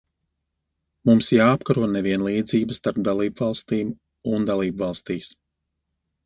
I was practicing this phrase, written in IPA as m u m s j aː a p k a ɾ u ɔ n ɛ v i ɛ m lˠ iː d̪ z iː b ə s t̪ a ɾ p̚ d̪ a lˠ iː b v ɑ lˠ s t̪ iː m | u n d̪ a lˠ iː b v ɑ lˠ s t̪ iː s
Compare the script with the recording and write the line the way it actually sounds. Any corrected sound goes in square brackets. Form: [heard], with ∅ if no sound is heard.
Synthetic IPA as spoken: m u m s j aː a p k a ɾ u ɔ n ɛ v i ɛ [n] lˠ iː d̪ z iː b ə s t̪ a ɾ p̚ d̪ a lˠ iː b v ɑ lˠ s t̪ iː m | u n d̪ a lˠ iː b v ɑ lˠ s t̪ iː s

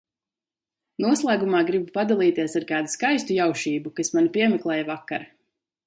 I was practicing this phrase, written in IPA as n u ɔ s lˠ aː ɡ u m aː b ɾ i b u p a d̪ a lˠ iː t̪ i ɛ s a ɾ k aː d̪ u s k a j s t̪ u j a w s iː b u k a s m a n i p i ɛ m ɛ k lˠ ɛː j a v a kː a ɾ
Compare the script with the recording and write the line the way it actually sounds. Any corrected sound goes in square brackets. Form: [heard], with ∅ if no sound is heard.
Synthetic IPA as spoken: n u ɔ s lˠ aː ɡ u m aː [ɡ] ɾ i b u p a d̪ a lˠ iː t̪ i ɛ s a ɾ k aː d̪ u s k a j s t̪ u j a w [ʃ] iː b u k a s m a n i p i ɛ m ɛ k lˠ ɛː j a v a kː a ɾ

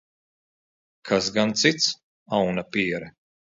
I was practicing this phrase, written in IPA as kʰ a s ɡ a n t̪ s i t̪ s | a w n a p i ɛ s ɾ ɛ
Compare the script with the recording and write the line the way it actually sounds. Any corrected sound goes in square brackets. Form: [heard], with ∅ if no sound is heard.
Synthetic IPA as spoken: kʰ a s ɡ a n t̪ s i t̪ s | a w n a p i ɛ [∅] ɾ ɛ

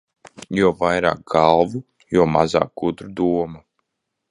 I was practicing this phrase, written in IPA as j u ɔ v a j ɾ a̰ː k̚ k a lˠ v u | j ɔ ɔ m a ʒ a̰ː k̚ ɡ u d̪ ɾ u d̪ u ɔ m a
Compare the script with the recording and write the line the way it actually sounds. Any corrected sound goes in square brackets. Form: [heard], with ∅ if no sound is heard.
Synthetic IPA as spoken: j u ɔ v a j ɾ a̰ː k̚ [ɡ] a lˠ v u | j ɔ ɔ m a [z] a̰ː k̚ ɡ u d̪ ɾ u d̪ u ɔ m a

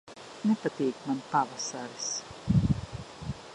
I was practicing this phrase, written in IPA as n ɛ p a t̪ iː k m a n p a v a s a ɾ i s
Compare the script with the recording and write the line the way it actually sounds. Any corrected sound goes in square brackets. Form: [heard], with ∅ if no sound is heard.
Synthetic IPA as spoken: n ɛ p a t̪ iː k m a n p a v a s a ɾ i s

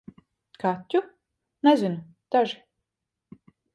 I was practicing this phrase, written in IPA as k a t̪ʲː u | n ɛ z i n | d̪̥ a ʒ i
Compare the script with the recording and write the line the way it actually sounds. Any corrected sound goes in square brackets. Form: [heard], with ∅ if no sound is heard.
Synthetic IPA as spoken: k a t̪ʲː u | n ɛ z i n | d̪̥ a ʒ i

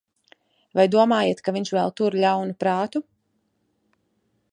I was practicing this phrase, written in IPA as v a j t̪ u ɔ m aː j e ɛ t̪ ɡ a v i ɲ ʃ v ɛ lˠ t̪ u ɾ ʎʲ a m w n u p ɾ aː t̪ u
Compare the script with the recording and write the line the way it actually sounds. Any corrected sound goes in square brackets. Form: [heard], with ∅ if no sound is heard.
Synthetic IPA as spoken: v a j [d̪] u ɔ m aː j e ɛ t̪ [k] a v i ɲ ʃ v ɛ lˠ t̪ u ɾ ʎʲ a [∅] w n u p ɾ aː t̪ u

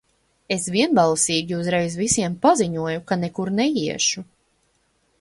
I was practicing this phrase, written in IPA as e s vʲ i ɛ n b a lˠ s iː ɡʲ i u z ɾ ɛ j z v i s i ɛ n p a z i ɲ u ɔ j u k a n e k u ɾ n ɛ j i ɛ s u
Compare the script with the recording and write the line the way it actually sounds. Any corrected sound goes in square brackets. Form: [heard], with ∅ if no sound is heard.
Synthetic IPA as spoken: e s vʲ i ɛ n b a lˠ s iː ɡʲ i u z ɾ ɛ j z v i s i ɛ [m] p a z i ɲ u ɔ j u k a n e k u ɾ n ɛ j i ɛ [ʃ] u

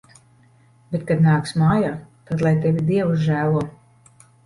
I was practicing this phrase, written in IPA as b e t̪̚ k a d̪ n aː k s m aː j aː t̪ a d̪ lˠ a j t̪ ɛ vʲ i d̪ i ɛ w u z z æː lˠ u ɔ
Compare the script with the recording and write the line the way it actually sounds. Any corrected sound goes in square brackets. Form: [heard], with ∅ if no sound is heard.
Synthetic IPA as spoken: b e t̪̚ k a d̪ n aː k s m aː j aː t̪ a d̪ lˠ a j t̪ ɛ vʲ i d̪ i ɛ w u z [ʒ] æː lˠ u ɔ

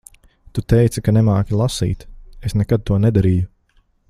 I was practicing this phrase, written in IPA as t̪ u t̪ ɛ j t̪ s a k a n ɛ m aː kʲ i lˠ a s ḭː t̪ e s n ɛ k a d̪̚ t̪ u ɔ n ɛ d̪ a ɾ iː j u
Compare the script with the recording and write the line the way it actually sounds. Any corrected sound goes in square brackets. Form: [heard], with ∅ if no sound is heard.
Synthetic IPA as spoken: t̪ u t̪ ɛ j t̪ s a k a n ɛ m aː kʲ i lˠ a s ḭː t̪ e s n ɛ k a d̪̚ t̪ u ɔ n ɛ d̪ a ɾ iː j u

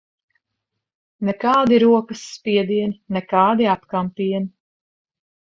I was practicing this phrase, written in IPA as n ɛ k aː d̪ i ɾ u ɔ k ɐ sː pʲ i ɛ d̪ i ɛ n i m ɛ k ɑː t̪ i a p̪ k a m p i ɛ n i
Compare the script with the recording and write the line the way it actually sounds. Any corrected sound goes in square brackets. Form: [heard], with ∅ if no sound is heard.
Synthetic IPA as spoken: n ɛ k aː d̪ i ɾ u ɔ k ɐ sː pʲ i ɛ d̪ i ɛ n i [n] ɛ k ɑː [d̪] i a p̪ k a m p i ɛ n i

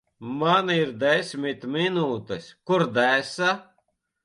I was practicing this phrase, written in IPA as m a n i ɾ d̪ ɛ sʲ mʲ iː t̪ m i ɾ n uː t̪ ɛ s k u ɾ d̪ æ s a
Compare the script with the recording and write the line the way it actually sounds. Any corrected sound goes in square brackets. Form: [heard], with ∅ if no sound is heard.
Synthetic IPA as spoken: m a n i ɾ d̪ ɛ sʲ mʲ [i] t̪ m i [∅] n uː t̪ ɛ s k u ɾ d̪ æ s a

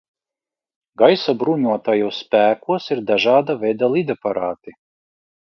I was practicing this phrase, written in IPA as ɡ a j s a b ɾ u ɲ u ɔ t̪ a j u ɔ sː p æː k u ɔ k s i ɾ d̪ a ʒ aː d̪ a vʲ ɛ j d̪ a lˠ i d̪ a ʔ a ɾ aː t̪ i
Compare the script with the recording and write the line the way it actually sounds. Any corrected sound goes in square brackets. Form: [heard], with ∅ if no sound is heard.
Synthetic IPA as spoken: ɡ a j s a b ɾ u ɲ u ɔ t̪ a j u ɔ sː p æː k u ɔ [∅] s i ɾ d̪ a ʒ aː d̪ a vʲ ɛ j d̪ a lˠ i d̪ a [p] a ɾ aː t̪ i

